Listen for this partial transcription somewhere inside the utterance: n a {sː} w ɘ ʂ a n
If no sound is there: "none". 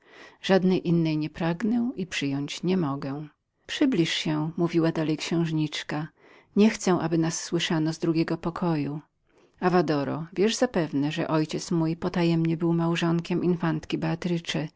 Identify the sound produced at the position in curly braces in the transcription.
sː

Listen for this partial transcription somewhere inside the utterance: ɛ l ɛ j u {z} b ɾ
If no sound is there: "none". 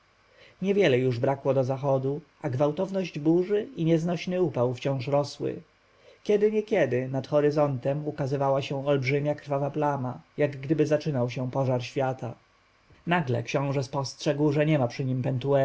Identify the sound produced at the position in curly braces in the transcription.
ʐ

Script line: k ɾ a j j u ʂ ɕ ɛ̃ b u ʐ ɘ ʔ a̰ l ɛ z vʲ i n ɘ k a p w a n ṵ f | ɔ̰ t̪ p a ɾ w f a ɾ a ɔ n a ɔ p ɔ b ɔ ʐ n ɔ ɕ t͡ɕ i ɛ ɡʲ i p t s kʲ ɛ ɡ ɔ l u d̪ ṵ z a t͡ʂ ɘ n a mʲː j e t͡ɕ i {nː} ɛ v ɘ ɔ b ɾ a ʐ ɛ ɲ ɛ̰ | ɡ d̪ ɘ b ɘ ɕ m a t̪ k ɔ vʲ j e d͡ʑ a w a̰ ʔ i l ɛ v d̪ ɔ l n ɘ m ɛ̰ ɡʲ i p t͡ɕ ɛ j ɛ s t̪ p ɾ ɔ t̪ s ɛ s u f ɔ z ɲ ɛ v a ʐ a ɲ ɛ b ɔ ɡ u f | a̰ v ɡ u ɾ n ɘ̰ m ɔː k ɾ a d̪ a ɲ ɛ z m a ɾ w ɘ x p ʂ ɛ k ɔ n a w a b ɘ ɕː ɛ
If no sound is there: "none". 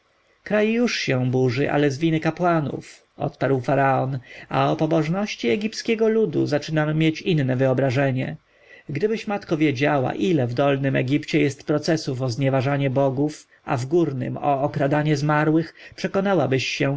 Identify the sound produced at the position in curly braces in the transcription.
nː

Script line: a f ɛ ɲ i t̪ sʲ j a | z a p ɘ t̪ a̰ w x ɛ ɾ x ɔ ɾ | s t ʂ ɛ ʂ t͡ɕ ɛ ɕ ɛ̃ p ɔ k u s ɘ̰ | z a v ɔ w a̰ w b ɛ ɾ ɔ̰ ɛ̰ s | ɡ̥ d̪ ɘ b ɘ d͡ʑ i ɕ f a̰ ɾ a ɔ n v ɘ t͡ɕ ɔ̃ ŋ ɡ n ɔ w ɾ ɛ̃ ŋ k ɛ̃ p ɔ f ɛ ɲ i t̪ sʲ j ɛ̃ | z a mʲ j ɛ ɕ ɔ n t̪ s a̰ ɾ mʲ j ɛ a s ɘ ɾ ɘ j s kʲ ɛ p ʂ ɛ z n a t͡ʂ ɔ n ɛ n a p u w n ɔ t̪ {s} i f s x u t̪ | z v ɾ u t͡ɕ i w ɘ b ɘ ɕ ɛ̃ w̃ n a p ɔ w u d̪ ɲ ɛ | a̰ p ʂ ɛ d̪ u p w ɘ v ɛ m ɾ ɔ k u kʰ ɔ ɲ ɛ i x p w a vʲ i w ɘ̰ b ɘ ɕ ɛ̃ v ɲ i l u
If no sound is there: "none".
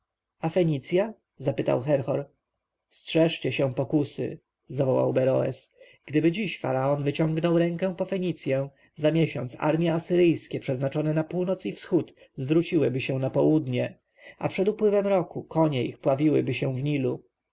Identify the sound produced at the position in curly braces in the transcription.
s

